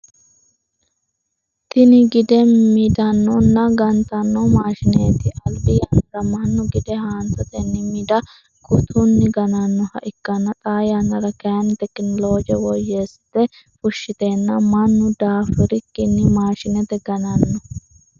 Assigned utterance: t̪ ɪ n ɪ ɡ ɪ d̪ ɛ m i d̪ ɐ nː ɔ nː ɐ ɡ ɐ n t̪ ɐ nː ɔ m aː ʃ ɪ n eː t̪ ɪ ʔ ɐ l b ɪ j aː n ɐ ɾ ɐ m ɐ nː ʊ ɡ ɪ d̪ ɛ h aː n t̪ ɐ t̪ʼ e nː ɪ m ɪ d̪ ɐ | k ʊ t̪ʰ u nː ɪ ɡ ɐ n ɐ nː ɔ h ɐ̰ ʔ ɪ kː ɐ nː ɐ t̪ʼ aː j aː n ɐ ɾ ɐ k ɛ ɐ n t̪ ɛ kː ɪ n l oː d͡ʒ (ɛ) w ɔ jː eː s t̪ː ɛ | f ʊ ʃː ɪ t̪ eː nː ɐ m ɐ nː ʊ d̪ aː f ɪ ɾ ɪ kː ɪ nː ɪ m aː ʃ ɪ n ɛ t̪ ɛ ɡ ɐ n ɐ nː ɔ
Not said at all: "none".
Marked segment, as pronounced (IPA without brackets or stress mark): ɛ